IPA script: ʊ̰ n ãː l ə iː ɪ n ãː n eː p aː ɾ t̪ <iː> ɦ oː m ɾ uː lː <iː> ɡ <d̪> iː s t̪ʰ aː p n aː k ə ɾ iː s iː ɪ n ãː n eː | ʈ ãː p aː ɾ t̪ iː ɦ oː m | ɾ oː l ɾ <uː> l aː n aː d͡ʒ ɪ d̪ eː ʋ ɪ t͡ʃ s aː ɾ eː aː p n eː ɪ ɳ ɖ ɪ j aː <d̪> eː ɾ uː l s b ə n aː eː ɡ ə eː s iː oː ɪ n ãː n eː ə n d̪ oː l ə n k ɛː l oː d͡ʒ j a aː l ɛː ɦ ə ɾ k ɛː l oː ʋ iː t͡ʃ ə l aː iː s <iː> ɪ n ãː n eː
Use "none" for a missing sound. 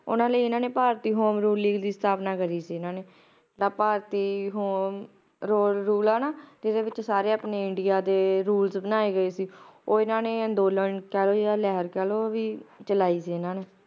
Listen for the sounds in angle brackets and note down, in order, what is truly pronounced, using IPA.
iː, iː, d̪, uː, d̪, iː

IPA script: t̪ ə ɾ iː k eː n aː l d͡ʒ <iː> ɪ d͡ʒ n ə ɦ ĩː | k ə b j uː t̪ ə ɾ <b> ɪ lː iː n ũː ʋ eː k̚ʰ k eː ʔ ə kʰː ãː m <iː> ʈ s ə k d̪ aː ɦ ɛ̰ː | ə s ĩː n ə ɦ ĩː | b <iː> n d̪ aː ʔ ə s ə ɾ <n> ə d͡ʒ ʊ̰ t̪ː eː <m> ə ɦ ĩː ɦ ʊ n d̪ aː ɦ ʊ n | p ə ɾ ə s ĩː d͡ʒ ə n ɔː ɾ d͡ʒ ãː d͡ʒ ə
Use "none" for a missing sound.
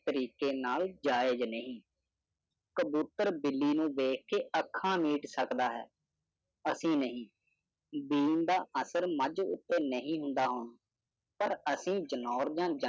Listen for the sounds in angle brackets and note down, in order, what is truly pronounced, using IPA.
aː, b, iː, iː, m, n

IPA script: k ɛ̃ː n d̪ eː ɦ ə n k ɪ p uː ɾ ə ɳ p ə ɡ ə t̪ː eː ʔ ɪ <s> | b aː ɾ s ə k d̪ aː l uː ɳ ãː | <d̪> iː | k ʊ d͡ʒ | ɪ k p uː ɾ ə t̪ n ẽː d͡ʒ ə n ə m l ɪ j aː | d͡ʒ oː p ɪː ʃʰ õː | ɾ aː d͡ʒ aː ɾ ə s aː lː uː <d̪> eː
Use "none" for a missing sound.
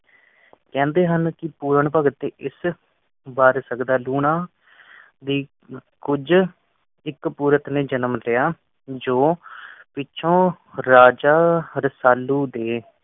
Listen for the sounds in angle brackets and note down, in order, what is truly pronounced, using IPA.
s, d̪, d̪

